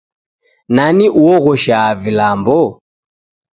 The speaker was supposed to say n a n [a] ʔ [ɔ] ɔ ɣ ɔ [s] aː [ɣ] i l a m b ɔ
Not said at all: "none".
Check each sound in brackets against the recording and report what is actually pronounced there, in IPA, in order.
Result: i, u, ʃ, v

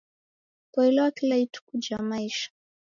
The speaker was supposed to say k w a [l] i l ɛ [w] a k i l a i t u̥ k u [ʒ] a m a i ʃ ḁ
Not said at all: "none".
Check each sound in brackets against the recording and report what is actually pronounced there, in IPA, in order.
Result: none, w, d͡ʒ

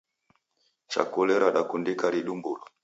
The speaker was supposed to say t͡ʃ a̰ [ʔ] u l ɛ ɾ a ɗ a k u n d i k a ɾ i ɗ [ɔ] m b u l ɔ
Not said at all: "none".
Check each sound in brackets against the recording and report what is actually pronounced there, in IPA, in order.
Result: k, u

